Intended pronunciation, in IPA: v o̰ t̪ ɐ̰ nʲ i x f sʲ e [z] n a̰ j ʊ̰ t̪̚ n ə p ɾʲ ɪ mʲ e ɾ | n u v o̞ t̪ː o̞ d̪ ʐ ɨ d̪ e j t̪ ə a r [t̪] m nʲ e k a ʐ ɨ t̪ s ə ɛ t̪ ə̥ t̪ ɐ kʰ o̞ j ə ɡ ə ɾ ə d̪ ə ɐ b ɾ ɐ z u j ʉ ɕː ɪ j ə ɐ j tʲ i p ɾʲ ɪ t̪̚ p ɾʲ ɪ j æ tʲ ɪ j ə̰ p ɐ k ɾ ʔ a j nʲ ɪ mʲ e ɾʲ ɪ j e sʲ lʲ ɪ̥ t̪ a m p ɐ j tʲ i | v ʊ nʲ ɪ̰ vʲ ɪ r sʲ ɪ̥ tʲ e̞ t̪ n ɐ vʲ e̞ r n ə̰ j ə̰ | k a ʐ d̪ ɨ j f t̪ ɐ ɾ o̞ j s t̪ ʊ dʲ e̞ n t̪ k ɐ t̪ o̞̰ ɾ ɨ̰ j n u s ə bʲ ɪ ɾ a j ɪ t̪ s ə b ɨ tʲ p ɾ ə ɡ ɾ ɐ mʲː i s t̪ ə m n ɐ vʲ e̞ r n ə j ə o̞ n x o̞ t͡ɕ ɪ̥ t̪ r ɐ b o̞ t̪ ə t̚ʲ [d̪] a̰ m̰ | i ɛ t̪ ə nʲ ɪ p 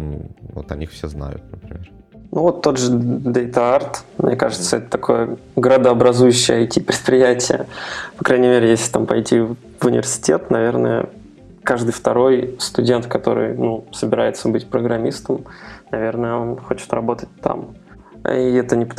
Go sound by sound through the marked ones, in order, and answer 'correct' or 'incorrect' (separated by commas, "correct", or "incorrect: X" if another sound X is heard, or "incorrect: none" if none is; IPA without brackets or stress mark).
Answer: correct, correct, incorrect: t̪